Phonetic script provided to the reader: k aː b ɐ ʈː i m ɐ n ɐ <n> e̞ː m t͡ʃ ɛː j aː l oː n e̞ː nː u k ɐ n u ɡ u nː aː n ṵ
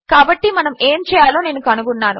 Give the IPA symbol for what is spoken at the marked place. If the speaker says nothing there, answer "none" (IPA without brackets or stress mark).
m